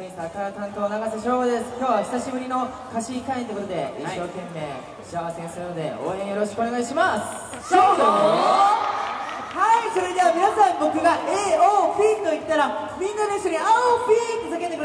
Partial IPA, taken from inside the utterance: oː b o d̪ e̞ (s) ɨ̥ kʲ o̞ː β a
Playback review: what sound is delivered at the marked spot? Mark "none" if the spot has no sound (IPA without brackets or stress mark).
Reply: s